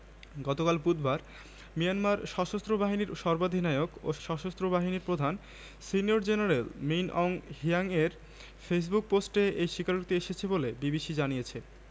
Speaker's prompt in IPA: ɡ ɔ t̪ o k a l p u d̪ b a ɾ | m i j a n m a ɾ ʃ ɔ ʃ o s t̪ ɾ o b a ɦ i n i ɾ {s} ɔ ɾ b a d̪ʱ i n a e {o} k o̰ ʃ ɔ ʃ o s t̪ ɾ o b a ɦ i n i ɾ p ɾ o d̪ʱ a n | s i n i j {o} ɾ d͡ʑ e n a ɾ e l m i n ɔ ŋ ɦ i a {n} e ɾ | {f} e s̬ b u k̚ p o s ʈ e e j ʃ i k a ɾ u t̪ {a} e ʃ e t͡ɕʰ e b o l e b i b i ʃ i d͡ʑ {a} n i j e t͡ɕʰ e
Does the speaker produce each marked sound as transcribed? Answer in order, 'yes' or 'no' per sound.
no, yes, yes, no, yes, no, yes

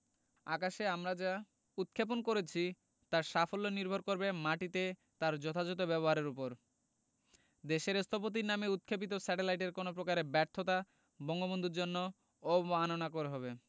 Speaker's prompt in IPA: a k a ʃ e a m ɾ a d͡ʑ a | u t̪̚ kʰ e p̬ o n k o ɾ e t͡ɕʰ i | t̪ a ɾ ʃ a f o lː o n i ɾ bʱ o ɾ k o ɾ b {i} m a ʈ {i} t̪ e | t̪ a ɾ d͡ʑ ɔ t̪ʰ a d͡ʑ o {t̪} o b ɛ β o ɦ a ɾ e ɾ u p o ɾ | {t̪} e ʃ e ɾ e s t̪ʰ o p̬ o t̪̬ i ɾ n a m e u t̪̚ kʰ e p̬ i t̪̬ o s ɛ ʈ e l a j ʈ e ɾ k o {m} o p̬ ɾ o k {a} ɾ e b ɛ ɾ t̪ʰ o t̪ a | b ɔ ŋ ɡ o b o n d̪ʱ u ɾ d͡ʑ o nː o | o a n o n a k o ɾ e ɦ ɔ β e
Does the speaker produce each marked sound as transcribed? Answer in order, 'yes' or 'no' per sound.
no, yes, yes, no, no, yes

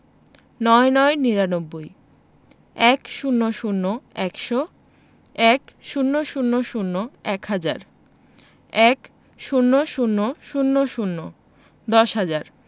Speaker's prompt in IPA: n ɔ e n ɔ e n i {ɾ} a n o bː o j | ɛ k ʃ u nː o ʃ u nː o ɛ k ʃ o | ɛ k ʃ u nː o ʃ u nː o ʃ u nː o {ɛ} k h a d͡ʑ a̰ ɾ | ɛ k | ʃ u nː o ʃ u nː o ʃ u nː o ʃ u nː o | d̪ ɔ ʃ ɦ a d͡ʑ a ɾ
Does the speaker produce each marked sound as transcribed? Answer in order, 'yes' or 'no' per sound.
yes, yes

